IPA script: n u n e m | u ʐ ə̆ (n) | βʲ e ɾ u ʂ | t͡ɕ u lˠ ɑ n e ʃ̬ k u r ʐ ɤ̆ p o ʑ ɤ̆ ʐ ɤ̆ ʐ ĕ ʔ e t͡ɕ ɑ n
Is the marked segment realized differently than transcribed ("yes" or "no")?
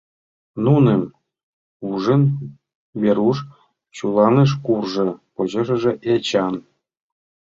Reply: no